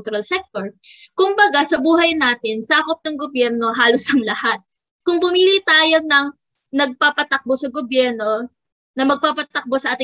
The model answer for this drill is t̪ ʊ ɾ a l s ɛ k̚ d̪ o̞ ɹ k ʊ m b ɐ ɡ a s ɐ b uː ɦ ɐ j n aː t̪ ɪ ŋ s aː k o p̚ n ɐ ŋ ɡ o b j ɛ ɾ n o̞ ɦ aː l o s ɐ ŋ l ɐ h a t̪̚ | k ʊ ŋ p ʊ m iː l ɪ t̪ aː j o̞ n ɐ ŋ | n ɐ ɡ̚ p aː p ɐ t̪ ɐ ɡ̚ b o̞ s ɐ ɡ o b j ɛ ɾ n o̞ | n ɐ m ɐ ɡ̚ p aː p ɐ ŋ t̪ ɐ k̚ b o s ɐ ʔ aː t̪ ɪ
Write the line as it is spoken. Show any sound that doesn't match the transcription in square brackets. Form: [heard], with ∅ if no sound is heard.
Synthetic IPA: t̪ ʊ ɾ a l s ɛ k̚ [t̪] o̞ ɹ k ʊ m b ɐ ɡ a s ɐ b uː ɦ ɐ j n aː t̪ ɪ [n] s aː k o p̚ n ɐ ŋ ɡ o b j ɛ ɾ n o̞ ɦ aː l o s ɐ ŋ l ɐ h a t̪̚ | k ʊ ŋ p ʊ m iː l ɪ t̪ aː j o̞ n ɐ ŋ | n ɐ ɡ̚ p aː p ɐ t̪ ɐ [k̚] b o̞ s ɐ ɡ o b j ɛ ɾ n o̞ | n ɐ m ɐ ɡ̚ p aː p ɐ [∅] t̪ ɐ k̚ b o s ɐ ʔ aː t̪ ɪ